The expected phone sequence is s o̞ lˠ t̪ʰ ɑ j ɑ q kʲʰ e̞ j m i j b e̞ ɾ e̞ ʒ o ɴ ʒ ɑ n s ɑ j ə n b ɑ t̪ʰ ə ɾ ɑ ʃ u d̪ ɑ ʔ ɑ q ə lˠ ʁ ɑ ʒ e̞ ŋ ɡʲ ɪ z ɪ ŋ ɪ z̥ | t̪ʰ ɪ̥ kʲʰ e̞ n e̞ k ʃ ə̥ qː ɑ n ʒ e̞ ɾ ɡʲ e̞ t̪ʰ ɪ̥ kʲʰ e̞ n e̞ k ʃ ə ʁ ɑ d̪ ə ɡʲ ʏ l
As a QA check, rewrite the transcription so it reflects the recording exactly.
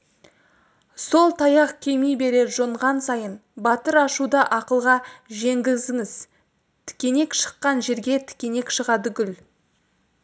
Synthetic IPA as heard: s o̞ lˠ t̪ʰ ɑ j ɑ q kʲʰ e̞ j m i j b e̞ ɾ e̞ ʒ o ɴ ʁ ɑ n s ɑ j ə n b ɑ t̪ ə ɾ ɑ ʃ u d̪ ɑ ʔ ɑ q ə lˠ ʁ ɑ ʒ e̞ ŋ ɡʲ ɪ z ɪ ŋ ɪ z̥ | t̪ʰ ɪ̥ kʲ e̞ n e̞ k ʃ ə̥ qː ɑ n ʒ e̞ ɾ ɡʲ e̞ t̪ʰ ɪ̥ kʲ e̞ n e̞ k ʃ ə ʁ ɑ d̪ ə ɡʲ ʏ l

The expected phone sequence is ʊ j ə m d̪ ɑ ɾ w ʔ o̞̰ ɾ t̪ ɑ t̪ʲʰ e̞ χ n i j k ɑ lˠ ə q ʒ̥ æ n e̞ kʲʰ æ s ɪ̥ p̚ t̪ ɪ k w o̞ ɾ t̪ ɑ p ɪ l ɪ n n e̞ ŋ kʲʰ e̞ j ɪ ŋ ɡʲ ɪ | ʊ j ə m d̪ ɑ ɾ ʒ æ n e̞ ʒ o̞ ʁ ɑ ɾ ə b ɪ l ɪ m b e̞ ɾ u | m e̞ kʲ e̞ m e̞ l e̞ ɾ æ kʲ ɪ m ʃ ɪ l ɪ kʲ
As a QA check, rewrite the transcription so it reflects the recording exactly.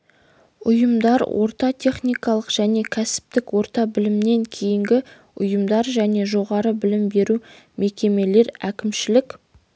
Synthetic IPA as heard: ʊ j ə m d̪ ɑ ɾ w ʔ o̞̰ ɾ t̪ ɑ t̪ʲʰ e̞ χ n i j k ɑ lˠ ə q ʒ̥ æ n e̞ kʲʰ æ s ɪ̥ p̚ t̪ ɪ k w o̞ ɾ t̪ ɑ b ɪ l ɪ m n e̞ ŋ kʲʰ e̞ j ɪ ŋ ɡʲ ɪ | ʊ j ə m d̪ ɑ ɾ ʒ æ n e̞ ʒ o̞ ʁ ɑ ɾ ə b ɪ l ɪ m b e̞ ɾ u | m e̞ kʲ e̞ m e̞ l e̞ ɾ æ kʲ ɪ m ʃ ɪ l ɪ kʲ

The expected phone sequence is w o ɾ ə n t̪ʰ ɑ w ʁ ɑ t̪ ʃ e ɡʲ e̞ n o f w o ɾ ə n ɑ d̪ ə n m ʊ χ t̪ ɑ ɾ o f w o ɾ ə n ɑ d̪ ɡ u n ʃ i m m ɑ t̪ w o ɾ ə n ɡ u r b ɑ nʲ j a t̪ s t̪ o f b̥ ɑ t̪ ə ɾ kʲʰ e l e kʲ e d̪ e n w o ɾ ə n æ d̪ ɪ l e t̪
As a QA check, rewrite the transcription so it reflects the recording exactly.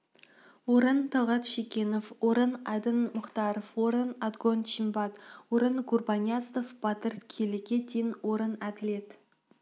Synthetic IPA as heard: w o ɾ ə n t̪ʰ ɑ w ʁ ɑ t̪ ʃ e kʲ e̞ n o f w o ɾ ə n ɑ d̪ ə n m ʊ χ t̪ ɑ ɾ o f w o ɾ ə n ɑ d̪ ɡ o n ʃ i m b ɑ t̪ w o ɾ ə n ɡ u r b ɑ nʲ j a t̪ s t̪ o f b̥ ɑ t̪ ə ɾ kʲʰ e l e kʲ e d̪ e n w o ɾ ə n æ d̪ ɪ l e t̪

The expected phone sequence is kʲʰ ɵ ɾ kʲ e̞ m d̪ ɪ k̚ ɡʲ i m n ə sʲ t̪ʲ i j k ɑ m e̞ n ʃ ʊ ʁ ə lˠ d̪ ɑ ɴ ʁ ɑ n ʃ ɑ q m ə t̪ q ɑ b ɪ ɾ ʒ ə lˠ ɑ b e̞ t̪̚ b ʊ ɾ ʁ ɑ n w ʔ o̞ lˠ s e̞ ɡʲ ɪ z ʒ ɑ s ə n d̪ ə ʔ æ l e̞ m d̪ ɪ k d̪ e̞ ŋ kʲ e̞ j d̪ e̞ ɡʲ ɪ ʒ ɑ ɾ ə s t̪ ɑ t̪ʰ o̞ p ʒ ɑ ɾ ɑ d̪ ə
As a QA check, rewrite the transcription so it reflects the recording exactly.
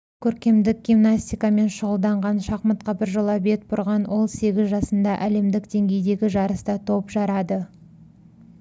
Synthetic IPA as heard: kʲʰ ɵ ɾ kʲ e̞ m d̪ ɪ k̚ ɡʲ i m n a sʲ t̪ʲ i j k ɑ m e̞ n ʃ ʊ ʁ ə lˠ d̪ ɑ ɴ ʁ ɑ n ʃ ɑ q m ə t̪ q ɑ b ɪ ɾ ʒ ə lˠ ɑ b e̞ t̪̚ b ʊ ɾ ʁ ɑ n w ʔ o̞ lˠ s e̞ ɡʲ ɪ z ʒ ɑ s ə n d̪ ɑ ʔ æ l e̞ m d̪ ɪ k d̪ e̞ ŋ ɡʲ e̞ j d̪ e̞ ɡʲ ɪ ʒ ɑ ɾ ə s t̪ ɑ t̪ʰ o̞ p ʒ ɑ ɾ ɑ d̪ ə

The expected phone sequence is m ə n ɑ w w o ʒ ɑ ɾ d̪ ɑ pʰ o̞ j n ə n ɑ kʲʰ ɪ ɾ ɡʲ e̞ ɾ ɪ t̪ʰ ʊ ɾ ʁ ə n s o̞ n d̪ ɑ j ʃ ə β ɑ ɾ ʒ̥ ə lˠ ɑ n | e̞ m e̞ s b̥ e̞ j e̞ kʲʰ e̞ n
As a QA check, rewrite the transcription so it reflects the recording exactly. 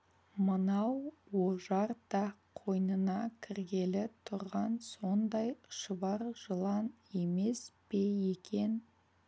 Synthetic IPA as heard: m ə n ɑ w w o ʒ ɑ ɾ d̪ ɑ qʰ o̞ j n ə n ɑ kʲʰ ɪ ɾ ɡʲ e̞ l ɪ t̪ʰ ʊ ɾ ʁ ɑ n s o̞ n d̪ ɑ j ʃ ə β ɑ ɾ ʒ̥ ə lˠ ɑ n | e̞ m e̞ s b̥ e̞ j e̞ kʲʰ e̞ n

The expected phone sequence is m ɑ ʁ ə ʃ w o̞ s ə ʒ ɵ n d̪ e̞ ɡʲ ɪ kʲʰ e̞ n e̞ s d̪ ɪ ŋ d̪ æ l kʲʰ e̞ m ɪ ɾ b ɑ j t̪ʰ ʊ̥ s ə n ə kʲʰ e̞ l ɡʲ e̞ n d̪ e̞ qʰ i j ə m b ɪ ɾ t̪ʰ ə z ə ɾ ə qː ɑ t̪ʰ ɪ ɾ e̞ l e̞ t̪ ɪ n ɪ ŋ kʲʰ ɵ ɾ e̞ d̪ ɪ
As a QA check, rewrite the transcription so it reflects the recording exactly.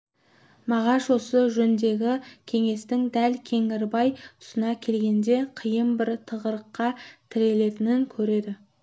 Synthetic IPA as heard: m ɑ ʁ ɑ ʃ w o̞ s ə ʒ ɵ n d̪ e̞ ɡʲ ɪ kʲʰ e̞ ŋ e̞ s t̪ ɪ ŋ d̪ æ l kʲʰ e̞ ŋ ɪ ɾ b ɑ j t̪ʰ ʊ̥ s ə n ɑ kʲʰ e̞ l ɡʲ e̞ n d̪ e̞ qʰ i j ə m b ɪ ɾ t̪ʰ ə ʁ ə ɾ ə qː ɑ t̪ʰ ɪ ɾ e̞ l e̞ t̪ ɪ n ɪ ŋ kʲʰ ɵ ɾ e̞ d̪ ɪ

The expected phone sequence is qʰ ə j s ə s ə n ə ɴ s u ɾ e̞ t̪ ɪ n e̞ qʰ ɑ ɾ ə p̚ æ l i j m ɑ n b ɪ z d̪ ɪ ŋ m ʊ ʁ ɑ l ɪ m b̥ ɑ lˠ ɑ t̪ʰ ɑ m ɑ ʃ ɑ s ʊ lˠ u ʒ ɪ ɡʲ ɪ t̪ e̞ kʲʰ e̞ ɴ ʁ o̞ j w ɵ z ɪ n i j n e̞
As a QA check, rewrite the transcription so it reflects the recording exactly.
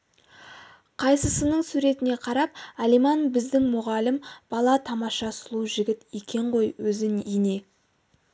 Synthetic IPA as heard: qʰ ɑ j s ə s ə n ə ɴ s u ɾ e̞ t̪ ɪ n e̞ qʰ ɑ ɾ ɑ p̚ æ l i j m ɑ n b ɪ z d̪ ɪ ŋ m ʊ ʁ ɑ l ɪ m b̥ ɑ lˠ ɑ t̪ʰ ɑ m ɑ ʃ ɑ s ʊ lˠ u ʒ ɪ ɡʲ ɪ t̪ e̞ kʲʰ e̞ ɴ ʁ o̞ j w ɵ z ɪ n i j n e̞

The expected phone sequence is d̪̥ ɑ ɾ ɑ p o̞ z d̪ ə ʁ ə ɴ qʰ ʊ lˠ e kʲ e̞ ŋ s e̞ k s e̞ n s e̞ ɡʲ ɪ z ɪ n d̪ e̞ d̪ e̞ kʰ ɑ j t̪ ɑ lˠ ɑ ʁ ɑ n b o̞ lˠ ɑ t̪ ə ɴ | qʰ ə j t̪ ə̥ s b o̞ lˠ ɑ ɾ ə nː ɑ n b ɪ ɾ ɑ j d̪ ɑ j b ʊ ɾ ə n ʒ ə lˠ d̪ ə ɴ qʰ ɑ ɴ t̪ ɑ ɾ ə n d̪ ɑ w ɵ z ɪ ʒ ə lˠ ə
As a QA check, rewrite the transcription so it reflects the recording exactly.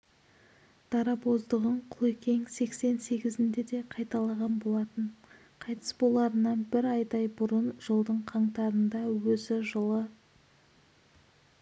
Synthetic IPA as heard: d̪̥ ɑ ɾ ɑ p o̞ z d̪ ə ʁ ə ɴ qʰ ʊ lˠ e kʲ e̞ ŋ s e̞ k s e̞ n s e̞ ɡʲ ɪ z ɪ n d̪ e̞ d̪ e̞ qʰ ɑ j t̪ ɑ lˠ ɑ ʁ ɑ n b o̞ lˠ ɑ t̪ ə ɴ | qʰ ɑ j t̪ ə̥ s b o̞ lˠ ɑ ɾ ə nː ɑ n b ɪ ɾ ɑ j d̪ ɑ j b ʊ ɾ ə n ʒ ə lˠ d̪ ə ɴ qʰ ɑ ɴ t̪ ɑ ɾ ə n d̪ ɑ w ɵ z ɪ ʒ ə lˠ ə

